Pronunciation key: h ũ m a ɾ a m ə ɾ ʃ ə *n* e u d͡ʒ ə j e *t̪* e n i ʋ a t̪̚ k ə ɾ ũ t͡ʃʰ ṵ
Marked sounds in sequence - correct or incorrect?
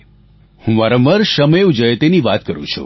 incorrect: m, correct

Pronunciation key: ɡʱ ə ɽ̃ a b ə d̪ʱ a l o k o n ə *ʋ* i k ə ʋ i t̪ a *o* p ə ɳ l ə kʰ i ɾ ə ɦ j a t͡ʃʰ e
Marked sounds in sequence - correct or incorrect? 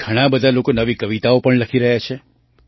correct, correct

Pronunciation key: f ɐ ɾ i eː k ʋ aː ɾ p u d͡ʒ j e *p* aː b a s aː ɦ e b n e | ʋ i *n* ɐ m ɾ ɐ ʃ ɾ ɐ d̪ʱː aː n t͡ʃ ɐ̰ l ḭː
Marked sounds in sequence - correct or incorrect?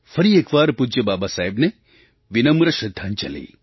incorrect: b, correct

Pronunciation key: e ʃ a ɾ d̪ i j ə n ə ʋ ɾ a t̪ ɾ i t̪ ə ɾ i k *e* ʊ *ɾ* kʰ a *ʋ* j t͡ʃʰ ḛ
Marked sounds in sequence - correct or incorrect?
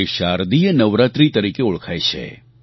correct, incorrect: ɭ, incorrect: none

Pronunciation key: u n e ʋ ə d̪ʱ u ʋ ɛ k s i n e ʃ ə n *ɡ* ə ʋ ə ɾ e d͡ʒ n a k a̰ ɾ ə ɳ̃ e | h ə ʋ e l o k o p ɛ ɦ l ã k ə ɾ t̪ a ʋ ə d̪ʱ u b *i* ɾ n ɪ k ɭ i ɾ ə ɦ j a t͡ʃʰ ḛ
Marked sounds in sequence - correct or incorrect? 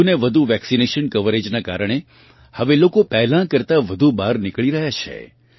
incorrect: k, incorrect: a

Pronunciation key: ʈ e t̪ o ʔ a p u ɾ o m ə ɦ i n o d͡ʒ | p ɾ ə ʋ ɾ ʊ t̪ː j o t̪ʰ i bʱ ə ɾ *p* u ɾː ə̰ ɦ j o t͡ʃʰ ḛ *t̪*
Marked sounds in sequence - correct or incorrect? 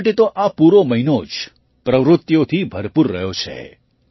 correct, incorrect: none

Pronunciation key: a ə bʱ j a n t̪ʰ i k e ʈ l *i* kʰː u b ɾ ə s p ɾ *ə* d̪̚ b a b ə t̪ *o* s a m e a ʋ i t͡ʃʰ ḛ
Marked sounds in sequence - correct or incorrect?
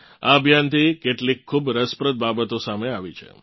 correct, correct, correct

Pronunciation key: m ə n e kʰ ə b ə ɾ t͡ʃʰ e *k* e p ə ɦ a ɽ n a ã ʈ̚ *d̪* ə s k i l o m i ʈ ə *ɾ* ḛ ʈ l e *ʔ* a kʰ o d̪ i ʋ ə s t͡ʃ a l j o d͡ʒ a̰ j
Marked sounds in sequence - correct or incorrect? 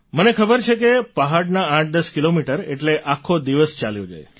correct, correct, correct, correct

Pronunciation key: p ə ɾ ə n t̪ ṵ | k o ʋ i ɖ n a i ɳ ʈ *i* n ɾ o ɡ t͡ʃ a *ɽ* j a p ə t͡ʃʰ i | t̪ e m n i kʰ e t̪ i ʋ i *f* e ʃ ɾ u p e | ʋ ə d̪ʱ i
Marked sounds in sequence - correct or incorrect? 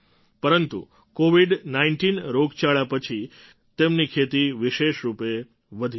correct, incorrect: ɭ, incorrect: ʃ

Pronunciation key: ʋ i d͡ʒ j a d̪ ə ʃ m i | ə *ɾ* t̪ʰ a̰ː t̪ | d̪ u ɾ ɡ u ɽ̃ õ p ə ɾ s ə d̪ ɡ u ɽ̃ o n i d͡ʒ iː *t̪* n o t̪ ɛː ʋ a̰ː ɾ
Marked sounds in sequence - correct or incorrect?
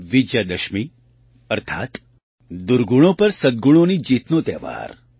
correct, correct

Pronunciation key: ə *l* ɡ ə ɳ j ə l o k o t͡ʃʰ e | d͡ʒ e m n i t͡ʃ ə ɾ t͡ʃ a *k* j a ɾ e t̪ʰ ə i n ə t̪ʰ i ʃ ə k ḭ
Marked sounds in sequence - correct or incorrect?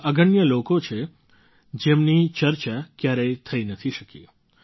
incorrect: none, correct

